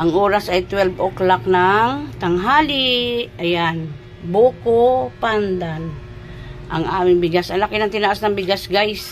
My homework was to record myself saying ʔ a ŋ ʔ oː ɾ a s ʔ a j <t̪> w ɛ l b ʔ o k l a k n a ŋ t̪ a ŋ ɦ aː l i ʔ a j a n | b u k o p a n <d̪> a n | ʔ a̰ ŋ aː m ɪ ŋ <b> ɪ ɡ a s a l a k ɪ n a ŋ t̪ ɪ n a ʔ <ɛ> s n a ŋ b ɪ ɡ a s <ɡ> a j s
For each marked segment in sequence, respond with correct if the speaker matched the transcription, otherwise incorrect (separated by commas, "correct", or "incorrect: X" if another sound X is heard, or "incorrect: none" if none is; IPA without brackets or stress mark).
correct, correct, correct, incorrect: a, correct